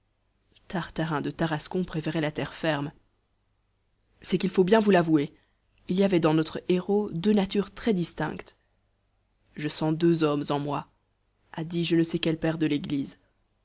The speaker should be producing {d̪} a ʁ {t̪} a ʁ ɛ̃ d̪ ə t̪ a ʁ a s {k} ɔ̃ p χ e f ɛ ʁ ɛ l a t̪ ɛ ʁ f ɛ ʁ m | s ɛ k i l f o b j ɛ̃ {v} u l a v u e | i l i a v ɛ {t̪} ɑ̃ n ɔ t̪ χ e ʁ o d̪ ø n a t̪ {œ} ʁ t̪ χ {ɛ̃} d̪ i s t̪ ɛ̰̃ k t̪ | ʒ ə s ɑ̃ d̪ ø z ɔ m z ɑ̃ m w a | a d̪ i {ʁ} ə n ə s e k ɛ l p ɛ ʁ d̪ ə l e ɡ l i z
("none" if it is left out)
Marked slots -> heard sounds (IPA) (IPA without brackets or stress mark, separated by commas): t̪, t̪, k, v, d̪, y, ɛ, ʒ